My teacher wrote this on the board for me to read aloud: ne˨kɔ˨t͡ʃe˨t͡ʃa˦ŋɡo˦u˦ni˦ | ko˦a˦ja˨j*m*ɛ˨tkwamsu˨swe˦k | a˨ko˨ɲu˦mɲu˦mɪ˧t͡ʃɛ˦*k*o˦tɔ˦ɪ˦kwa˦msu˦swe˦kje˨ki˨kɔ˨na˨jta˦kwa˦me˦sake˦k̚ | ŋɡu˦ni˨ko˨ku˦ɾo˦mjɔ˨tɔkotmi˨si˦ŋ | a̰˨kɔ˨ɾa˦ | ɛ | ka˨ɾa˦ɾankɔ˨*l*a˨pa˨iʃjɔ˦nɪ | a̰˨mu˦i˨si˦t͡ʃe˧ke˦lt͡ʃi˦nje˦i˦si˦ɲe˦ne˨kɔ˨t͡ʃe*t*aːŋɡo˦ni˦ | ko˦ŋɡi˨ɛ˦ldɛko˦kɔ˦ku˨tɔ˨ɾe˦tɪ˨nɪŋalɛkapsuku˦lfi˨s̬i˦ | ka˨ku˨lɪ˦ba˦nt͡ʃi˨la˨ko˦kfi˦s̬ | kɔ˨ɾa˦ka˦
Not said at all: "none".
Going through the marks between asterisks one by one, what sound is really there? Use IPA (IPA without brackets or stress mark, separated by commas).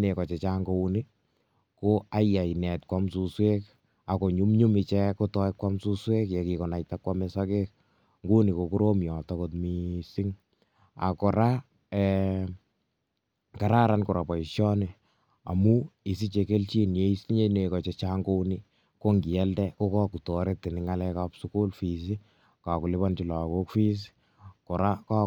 n, k, ɾ, t͡ʃ